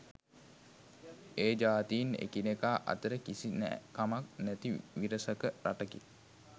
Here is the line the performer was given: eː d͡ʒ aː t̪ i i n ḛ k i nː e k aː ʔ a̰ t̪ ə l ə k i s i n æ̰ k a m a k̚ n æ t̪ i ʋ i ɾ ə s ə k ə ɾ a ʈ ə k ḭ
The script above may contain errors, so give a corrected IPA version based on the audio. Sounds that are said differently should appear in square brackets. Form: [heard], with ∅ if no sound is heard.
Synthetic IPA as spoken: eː d͡ʒ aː t̪ i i n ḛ k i [n] e k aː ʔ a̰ t̪ ə [ɾ] ə k i s i n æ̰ k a m a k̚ n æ t̪ i ʋ i ɾ ə s ə k ə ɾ a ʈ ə k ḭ

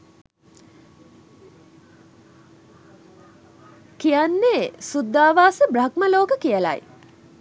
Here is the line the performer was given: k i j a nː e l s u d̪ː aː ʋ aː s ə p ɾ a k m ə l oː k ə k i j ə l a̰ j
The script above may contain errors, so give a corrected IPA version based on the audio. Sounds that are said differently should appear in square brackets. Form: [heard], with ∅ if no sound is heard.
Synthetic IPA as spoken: k i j a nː e [∅] s u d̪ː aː ʋ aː s ə [b] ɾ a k m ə l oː k ə k i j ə l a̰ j

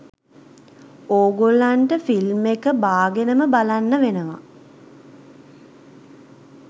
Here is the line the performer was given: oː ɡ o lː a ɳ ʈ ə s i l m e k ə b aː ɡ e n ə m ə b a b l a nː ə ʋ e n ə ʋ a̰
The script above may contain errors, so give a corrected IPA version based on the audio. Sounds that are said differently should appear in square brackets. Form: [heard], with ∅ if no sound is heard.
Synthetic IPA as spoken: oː ɡ o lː a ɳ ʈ ə [f] i l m e k ə b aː ɡ e n ə m ə b a [∅] l a nː ə ʋ e n ə ʋ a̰

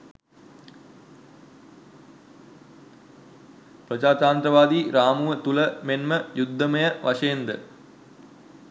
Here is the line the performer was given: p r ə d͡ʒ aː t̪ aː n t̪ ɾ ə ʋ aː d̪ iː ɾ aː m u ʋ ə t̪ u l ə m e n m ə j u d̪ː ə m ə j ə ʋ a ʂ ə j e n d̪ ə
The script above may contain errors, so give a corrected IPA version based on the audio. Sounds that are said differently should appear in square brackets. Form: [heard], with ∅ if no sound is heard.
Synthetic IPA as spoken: p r ə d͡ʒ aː t̪ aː n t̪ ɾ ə ʋ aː d̪ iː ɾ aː m u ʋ ə t̪ u l ə m e n m ə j u d̪ː ə m ə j ə ʋ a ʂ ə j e n d̪ ə

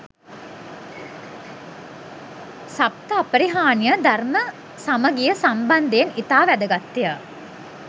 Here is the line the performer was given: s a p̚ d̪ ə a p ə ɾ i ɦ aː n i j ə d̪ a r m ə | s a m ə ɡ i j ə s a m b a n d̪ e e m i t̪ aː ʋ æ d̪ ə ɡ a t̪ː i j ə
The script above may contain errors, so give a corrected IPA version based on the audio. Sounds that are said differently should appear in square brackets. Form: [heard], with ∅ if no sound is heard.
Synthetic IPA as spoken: s a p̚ [t̪] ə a p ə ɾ i ɦ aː n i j ə d̪ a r m ə | s a m ə ɡ i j ə s a m b a n d̪ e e [n] i t̪ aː ʋ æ d̪ ə ɡ a t̪ː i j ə

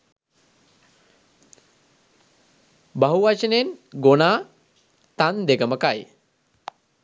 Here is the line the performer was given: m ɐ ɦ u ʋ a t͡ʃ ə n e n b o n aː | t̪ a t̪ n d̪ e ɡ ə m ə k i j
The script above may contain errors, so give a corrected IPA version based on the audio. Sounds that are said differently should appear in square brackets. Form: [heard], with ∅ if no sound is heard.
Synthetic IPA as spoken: [b] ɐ ɦ u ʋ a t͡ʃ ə n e n [ɡ] o n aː | t̪ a [∅] n d̪ e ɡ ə m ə k [a] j

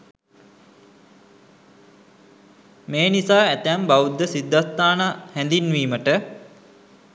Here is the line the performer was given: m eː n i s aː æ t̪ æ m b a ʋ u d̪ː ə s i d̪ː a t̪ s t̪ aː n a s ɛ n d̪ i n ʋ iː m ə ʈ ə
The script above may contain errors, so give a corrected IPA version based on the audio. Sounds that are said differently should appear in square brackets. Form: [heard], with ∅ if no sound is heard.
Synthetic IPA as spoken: m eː n i s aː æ t̪ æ m b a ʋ u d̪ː ə s i d̪ː a [∅] s t̪ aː n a [h] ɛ n d̪ i n ʋ iː m ə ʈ ə

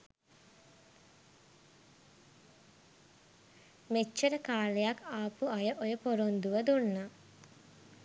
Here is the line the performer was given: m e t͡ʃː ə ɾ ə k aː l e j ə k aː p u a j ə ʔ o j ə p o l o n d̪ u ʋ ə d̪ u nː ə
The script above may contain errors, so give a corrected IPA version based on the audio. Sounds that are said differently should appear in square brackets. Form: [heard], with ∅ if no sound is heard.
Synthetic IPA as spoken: m e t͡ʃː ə ɾ ə k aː l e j [a] k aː p u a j ə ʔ o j ə p o [ɾ] o n d̪ u ʋ ə d̪ u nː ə

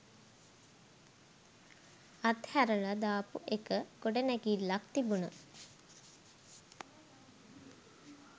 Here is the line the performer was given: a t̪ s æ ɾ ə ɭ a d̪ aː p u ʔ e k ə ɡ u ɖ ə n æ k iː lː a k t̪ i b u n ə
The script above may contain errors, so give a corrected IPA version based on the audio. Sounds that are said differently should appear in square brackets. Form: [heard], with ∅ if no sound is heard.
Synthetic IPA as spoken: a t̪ [h] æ ɾ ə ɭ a d̪ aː p u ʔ e k ə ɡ [o] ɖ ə n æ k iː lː a k t̪ i b u n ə

